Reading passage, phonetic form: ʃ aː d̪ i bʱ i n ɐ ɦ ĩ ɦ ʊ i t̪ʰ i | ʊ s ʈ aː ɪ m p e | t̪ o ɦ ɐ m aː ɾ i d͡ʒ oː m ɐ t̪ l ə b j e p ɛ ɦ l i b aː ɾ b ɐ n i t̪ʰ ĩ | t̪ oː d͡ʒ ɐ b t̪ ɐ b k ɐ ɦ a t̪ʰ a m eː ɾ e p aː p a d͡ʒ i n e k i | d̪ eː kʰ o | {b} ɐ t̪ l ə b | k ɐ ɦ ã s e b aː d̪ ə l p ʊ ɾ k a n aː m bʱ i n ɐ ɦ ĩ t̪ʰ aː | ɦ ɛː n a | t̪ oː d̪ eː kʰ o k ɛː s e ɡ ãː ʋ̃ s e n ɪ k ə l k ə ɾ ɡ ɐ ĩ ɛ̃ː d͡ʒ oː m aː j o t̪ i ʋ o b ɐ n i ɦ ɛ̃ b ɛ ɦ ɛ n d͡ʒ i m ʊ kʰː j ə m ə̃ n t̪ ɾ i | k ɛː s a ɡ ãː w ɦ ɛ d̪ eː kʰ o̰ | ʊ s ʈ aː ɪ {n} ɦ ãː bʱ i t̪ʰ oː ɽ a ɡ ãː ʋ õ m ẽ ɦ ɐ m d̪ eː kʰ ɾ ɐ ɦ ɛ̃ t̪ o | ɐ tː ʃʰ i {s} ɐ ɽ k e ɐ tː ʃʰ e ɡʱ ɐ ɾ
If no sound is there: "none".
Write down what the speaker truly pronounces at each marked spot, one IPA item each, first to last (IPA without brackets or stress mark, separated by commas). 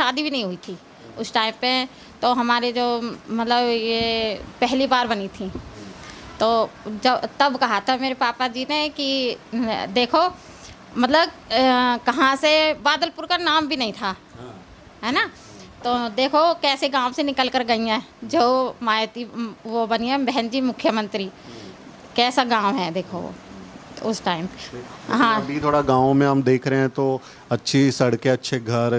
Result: m, m, s